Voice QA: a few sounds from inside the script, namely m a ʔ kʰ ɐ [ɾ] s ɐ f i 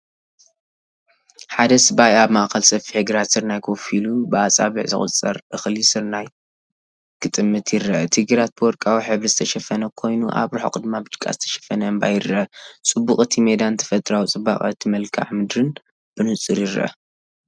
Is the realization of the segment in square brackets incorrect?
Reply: yes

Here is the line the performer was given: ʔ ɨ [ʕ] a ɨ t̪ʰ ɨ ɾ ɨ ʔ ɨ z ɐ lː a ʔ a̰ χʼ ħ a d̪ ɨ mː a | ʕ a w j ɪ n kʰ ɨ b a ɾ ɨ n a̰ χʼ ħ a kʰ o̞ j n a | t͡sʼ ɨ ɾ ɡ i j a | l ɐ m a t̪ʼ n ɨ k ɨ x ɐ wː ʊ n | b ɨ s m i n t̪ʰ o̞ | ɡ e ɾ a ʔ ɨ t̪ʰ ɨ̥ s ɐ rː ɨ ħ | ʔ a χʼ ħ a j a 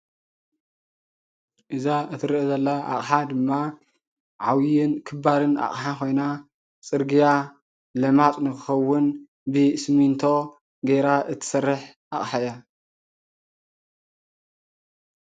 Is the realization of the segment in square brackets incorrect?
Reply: yes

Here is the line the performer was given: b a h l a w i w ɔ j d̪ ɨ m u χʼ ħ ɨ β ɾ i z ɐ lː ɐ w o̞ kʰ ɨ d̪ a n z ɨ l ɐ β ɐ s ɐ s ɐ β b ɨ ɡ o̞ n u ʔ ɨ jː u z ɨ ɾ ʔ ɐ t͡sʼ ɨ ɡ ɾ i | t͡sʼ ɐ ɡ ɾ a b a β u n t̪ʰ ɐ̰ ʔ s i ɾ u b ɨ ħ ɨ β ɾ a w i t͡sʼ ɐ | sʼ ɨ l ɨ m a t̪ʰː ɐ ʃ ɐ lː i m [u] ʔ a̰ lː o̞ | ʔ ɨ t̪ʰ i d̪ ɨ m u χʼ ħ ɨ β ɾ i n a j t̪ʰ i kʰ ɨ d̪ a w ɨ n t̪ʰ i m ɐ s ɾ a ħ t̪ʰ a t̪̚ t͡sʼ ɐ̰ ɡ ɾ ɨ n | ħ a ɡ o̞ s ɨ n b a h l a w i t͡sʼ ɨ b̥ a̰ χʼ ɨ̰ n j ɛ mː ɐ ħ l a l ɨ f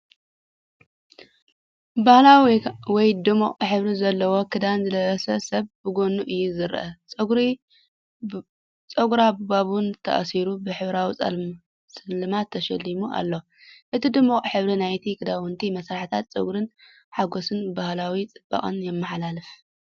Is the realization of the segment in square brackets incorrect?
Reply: no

